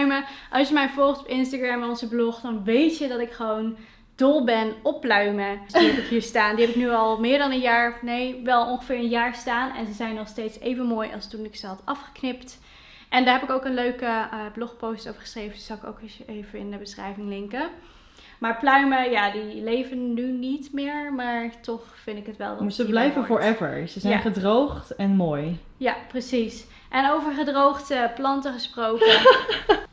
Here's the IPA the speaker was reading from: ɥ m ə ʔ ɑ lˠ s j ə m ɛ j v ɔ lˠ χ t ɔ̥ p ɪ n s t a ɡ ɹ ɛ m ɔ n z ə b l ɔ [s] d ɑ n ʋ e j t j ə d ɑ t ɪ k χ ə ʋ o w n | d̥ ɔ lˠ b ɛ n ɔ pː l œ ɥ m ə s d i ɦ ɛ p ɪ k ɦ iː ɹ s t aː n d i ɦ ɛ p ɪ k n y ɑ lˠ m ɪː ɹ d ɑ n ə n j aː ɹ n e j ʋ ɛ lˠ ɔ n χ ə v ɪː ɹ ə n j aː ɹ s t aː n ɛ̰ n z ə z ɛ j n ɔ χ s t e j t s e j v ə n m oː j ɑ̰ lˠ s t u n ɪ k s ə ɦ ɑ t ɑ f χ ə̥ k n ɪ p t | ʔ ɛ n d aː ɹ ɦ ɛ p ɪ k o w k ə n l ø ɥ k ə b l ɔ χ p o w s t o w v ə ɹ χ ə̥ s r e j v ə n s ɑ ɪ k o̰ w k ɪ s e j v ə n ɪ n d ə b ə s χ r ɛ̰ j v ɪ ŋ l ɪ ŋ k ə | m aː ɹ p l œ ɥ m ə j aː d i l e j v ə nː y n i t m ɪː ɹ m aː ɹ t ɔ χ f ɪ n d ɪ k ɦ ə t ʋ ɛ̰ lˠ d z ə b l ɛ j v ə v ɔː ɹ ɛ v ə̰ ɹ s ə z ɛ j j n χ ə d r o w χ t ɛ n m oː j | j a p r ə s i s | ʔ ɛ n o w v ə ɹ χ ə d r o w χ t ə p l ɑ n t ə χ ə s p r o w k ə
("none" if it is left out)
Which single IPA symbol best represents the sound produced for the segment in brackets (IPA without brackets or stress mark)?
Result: χ